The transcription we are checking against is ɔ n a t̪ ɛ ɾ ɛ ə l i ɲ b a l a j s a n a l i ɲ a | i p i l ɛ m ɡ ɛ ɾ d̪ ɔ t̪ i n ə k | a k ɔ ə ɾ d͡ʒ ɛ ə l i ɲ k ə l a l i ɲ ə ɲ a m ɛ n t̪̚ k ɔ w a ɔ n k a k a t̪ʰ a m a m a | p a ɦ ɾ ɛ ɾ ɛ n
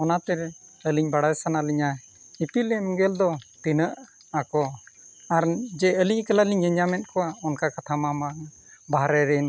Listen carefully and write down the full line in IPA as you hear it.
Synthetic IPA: ɔ n a t̪ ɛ ɾ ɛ ə l i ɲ b a ɽ a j s a n a l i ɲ a | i p i l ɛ m ɡ ɛ l d̪ ɔ t̪ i n ə ʔ | a k ɔ a ɾ d͡ʒ ɛ ə l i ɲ k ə l a l i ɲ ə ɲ a m ɛ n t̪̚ k ɔ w a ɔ n k a k a t̪ʰ a m a m a | b a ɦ ɾ ɛ ɾ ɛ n